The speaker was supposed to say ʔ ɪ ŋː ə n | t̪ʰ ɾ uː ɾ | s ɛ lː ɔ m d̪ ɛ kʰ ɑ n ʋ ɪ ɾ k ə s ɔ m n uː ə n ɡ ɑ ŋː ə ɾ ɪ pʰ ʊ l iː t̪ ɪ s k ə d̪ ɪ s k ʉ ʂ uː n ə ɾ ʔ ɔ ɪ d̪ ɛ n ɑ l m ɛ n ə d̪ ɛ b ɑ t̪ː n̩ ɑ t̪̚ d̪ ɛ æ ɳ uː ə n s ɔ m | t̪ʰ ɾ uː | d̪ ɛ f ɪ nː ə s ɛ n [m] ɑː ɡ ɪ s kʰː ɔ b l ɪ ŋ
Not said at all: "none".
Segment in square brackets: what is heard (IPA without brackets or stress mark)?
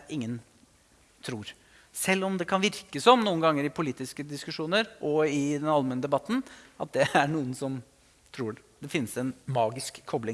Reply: m